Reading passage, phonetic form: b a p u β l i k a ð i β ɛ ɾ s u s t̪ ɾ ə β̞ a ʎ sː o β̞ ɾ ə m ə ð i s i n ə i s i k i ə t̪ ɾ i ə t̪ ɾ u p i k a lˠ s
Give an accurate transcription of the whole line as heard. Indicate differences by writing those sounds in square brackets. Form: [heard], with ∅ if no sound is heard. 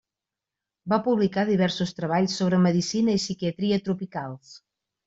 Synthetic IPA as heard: b a p u β l i k a ð i β ɛ ɾ s u s t̪ ɾ ə β̞ a ʎ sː o β̞ ɾ ə m ə ð i s i n ə i s i k i ə t̪ ɾ i ə t̪ ɾ u p i k a lˠ s